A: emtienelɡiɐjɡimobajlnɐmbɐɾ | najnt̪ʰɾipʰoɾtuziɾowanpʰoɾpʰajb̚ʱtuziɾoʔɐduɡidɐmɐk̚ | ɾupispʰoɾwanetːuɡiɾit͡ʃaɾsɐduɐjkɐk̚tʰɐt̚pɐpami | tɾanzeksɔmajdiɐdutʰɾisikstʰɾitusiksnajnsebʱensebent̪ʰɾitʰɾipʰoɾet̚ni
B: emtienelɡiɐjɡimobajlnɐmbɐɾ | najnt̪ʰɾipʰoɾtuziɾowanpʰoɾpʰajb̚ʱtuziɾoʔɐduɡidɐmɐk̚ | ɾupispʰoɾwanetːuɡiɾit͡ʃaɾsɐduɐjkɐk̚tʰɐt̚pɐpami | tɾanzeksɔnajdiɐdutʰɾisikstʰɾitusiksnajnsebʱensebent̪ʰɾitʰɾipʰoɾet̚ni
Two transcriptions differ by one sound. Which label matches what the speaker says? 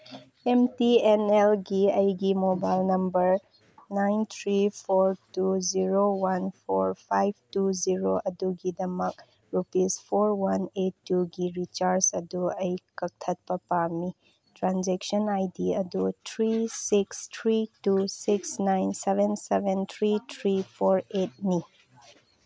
B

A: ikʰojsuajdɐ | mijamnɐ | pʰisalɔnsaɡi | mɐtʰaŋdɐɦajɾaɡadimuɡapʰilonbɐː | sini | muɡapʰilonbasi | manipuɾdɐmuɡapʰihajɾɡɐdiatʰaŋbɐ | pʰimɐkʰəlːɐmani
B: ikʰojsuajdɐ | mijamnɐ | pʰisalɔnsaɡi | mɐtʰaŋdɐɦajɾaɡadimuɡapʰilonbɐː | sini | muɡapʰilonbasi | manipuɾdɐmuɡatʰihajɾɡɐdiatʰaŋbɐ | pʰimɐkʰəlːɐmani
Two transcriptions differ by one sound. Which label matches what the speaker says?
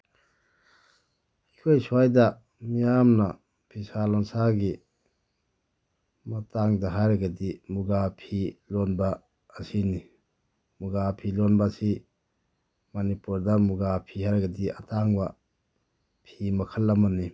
A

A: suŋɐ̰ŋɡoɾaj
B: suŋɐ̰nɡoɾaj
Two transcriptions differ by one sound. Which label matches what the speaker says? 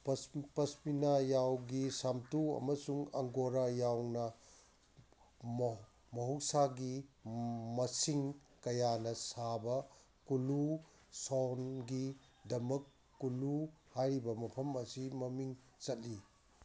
A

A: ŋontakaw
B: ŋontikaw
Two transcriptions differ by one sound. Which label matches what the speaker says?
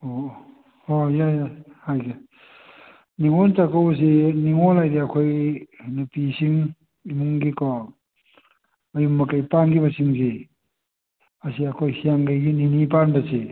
A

